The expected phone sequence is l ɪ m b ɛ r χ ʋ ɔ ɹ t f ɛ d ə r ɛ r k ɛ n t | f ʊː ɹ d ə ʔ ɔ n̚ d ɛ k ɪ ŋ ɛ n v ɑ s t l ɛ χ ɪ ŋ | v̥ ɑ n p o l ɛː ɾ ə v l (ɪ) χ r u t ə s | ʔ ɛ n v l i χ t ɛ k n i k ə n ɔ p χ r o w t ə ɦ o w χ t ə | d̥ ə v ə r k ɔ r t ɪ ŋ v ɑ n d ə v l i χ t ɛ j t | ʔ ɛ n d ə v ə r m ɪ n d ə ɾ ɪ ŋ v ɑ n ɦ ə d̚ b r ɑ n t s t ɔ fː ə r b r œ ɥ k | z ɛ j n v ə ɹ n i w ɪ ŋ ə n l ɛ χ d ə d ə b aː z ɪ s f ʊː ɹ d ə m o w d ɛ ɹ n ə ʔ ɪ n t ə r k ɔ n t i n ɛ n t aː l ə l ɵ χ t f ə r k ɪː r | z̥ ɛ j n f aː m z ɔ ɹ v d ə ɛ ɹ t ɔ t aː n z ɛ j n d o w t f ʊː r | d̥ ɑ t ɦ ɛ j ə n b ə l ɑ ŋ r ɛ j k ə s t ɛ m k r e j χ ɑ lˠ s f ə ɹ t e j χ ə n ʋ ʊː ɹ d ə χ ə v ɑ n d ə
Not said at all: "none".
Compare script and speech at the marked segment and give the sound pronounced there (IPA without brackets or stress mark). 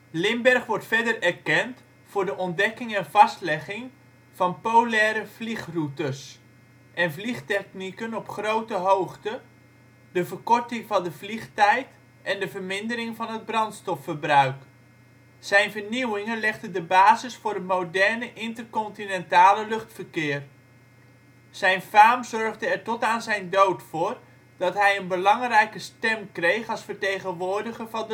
i